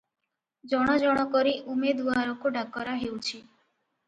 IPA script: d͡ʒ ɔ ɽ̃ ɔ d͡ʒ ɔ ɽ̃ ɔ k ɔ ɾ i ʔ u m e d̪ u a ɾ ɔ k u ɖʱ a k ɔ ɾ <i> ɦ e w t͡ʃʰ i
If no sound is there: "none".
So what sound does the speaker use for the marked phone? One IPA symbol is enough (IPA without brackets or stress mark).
a